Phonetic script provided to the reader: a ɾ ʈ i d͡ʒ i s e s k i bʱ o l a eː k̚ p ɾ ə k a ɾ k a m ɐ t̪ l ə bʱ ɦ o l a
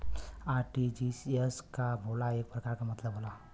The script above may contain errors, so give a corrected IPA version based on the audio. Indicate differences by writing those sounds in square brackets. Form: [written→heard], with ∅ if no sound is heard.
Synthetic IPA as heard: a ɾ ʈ i d͡ʒ i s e s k [i→a] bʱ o l a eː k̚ p ɾ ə k a ɾ k a m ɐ t̪ l ə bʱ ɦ o l a